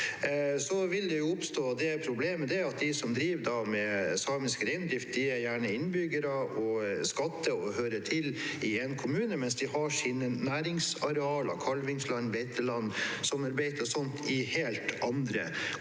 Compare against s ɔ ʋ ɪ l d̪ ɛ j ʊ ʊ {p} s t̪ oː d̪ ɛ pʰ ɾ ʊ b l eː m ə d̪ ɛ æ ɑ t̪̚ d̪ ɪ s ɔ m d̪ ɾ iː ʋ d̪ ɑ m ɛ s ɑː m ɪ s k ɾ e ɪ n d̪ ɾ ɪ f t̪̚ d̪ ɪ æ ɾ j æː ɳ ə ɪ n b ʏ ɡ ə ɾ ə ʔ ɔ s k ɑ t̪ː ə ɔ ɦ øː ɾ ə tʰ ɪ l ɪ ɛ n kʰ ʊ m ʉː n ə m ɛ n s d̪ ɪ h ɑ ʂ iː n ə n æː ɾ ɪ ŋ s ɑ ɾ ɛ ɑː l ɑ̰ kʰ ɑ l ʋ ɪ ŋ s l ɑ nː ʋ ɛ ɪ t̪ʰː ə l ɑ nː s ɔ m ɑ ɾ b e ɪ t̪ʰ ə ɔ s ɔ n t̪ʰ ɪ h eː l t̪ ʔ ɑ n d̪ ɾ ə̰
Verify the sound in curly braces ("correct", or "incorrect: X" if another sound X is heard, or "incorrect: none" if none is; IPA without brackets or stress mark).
correct